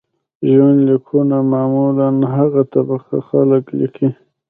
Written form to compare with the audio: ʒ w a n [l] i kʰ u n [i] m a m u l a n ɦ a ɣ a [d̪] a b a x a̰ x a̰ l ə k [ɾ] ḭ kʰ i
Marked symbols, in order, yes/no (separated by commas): yes, no, no, no